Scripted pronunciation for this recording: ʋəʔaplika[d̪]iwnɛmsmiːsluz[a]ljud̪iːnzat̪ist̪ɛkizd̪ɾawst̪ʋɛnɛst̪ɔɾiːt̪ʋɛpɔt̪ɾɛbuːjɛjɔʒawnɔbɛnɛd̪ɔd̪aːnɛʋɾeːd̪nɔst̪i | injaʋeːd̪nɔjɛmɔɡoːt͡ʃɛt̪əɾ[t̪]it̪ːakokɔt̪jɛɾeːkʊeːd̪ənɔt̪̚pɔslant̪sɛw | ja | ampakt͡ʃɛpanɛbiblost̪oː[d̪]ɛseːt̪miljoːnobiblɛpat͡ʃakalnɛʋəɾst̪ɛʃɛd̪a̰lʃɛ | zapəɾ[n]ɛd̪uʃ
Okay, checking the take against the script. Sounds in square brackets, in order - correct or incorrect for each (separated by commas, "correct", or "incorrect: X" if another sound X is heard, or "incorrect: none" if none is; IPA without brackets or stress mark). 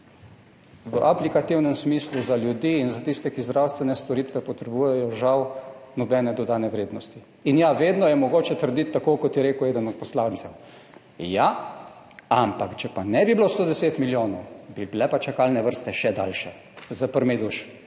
incorrect: t̪, correct, incorrect: d̪, correct, incorrect: m